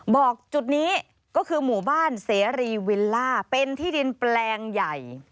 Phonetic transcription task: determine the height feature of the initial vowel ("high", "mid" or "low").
mid